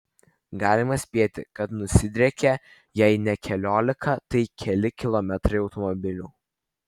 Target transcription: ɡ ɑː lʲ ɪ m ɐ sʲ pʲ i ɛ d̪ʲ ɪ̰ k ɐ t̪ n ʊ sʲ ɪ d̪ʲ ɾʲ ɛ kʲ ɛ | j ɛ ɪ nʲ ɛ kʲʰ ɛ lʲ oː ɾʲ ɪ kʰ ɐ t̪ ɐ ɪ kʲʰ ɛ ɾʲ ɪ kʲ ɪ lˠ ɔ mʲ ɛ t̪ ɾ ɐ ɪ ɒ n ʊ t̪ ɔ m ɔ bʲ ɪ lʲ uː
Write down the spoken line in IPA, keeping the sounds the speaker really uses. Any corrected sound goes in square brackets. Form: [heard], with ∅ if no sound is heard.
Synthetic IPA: ɡ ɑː lʲ ɪ m ɐ sʲ pʲ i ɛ [t̪ʲ] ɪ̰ k ɐ t̪ n ʊ sʲ ɪ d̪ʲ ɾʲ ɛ kʲ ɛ | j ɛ ɪ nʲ ɛ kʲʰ ɛ lʲ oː [lʲ] ɪ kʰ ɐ t̪ ɐ ɪ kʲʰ ɛ [lʲ] ɪ kʲ ɪ lˠ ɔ mʲ ɛ t̪ ɾ ɐ ɪ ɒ [∅] ʊ t̪ ɔ m ɔ bʲ ɪ lʲ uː